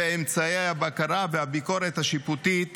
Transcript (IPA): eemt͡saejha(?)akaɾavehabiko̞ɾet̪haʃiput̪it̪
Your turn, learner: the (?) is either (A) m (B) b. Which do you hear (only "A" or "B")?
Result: B